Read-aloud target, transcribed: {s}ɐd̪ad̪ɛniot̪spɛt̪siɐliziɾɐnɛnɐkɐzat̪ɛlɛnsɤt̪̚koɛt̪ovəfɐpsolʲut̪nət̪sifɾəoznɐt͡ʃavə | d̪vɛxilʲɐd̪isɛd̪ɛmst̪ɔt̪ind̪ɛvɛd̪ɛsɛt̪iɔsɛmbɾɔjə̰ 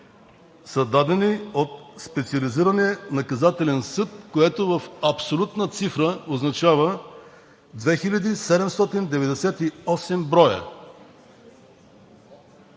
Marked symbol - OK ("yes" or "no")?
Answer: yes